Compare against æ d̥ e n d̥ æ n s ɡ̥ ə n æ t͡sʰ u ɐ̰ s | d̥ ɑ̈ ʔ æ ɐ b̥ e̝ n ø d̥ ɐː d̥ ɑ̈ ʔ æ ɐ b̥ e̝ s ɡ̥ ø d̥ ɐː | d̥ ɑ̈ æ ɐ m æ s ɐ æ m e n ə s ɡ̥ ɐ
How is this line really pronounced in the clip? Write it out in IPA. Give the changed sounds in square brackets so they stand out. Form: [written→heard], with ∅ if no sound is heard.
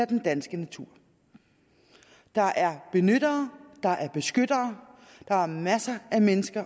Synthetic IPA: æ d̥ e n d̥ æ n s ɡ̥ ə n æ t͡sʰ u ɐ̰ [s→∅] | d̥ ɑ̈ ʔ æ ɐ b̥ e̝ n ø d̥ ɐː d̥ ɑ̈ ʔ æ ɐ b̥ e̝ s ɡ̥ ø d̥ ɐː | d̥ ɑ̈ æ ɐ m æ s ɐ æ m e n ə s ɡ̥ ɐ